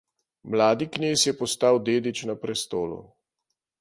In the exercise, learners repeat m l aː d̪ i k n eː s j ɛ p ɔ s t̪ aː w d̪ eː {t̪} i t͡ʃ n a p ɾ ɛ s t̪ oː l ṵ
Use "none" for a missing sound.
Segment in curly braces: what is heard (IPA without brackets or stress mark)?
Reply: d̪